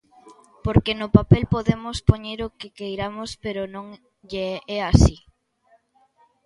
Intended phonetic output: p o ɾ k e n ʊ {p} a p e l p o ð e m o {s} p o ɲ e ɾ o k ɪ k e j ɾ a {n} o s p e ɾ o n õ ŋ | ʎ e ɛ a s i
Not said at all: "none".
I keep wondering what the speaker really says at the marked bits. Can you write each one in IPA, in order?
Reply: p, s, m

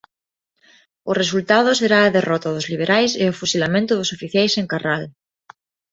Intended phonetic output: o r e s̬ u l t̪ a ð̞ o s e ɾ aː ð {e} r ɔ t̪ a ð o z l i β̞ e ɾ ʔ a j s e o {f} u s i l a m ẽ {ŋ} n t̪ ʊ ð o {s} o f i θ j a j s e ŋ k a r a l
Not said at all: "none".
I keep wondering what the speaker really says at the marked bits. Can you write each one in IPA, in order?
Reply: e, f, none, s

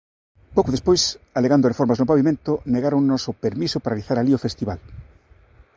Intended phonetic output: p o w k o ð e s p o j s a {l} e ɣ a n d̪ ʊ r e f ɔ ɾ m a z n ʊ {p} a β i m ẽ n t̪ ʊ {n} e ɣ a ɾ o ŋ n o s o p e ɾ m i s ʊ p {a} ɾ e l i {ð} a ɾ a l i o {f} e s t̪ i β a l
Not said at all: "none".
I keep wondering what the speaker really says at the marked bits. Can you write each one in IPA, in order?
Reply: l, p, n, a, θ, f

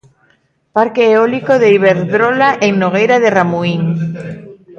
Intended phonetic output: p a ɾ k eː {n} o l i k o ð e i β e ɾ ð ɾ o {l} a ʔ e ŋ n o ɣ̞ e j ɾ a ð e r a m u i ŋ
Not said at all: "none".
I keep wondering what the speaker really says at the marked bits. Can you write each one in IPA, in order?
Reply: none, l

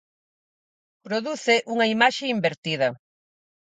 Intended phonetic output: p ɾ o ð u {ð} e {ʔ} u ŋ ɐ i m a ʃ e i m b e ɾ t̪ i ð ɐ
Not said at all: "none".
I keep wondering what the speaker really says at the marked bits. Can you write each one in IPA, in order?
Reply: θ, ʔ

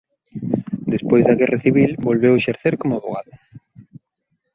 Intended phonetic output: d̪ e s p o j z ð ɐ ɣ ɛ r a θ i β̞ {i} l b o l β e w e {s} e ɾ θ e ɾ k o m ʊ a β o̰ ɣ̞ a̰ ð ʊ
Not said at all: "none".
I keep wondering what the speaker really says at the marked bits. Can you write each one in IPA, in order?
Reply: i, ʃ

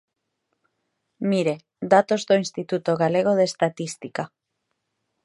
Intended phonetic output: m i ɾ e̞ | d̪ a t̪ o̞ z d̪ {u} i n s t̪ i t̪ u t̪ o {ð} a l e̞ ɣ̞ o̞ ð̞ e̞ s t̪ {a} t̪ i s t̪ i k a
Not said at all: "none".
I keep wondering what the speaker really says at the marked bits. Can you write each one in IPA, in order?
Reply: o, ɣ, a

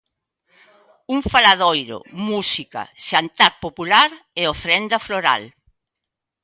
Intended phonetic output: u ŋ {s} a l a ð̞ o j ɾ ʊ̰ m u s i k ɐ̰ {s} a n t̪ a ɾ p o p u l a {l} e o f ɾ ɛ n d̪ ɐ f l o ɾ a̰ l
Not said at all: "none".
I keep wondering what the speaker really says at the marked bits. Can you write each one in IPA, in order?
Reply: f, ʃ, ɾ

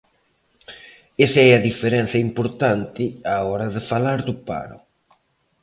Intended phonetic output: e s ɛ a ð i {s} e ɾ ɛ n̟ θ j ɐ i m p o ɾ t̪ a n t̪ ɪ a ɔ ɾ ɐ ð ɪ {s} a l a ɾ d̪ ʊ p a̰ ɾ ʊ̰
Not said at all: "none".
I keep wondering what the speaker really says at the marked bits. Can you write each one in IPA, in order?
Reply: f, f

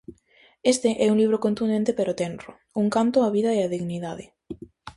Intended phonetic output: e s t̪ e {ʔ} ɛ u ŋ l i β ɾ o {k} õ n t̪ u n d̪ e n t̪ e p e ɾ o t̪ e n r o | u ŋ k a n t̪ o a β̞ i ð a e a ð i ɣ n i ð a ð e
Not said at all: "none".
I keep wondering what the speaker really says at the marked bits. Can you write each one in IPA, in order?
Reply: ʔ, k

